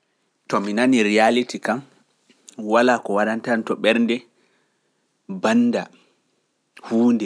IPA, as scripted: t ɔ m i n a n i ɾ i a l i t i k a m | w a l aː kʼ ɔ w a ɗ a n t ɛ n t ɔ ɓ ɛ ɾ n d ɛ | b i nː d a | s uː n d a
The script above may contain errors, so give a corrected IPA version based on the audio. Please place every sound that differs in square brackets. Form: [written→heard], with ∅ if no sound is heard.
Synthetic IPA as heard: t ɔ m i n a n i ɾ i a l i t i k a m | w a l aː [kʼ→k] ɔ w a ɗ a n t [ɛ→a] n t ɔ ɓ ɛ ɾ n d ɛ | b [i→a] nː d a | [s→h] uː n d [a→ɛ]

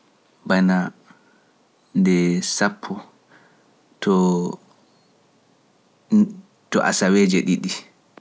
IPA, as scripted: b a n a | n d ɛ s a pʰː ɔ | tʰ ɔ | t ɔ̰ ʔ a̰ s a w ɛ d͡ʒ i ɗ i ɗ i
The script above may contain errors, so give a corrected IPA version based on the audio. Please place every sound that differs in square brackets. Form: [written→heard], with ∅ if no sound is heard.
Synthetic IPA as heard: b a n a | n d ɛ s a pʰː ɔ | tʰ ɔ | t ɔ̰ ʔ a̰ s a w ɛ d͡ʒ [i→ɛ] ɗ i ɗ i

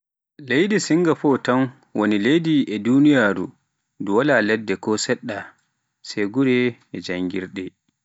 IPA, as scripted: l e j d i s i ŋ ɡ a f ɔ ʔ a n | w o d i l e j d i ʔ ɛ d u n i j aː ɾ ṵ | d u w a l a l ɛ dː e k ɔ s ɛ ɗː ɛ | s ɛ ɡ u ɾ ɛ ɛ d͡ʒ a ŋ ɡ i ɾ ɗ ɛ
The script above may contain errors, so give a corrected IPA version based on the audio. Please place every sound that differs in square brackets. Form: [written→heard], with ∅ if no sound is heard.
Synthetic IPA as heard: l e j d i s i ŋ ɡ a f ɔ [ʔ→t] a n | w o [d→n] i l e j d i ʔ ɛ d u n i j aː ɾ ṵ | d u w a l a l ɛ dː [e→ɛ] k ɔ s ɛ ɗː [ɛ→a] | s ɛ ɡ u ɾ ɛ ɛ d͡ʒ a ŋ ɡ i ɾ ɗ ɛ

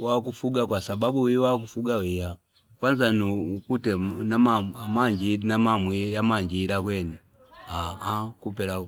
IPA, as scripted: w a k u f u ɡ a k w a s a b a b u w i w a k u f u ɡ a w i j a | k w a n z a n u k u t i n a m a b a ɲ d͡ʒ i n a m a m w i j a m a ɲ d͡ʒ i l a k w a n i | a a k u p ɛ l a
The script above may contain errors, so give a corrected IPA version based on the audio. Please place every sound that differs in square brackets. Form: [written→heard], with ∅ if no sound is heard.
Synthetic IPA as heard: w a k u f u ɡ a k w a s a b a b u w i w a k u f u ɡ a w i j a | k w a n z a n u k u t [i→ɛ] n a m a [b→m] a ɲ d͡ʒ i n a m a m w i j a m a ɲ d͡ʒ i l a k w [a→ɛ] n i | a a k u p ɛ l a

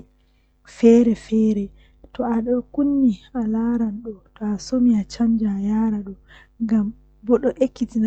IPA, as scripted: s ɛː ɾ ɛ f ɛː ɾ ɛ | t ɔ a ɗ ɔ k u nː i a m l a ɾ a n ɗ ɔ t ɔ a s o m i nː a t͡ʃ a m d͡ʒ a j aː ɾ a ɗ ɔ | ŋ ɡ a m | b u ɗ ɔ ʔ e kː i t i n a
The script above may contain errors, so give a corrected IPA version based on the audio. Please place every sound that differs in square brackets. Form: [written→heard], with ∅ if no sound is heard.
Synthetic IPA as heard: [s→f] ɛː ɾ ɛ f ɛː ɾ ɛ | t ɔ a ɗ ɔ k u nː i a [m→∅] l a ɾ a n ɗ ɔ t ɔ a s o m i [nː→∅] a t͡ʃ a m d͡ʒ a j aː ɾ a ɗ ɔ | ŋ ɡ a m | b [u→ɔ] ɗ ɔ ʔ e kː i t i n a

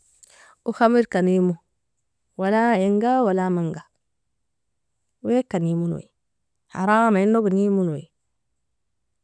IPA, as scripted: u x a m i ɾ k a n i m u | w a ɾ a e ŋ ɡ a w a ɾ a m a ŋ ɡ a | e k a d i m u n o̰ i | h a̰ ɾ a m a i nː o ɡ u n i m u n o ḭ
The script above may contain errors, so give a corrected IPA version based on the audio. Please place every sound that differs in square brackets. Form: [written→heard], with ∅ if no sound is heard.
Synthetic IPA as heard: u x a m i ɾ k a n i m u | w a [ɾ→l] a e ŋ ɡ a w a [ɾ→l] a m a ŋ ɡ a | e k a [d→n] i m u n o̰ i | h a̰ ɾ a m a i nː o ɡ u n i m u n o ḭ

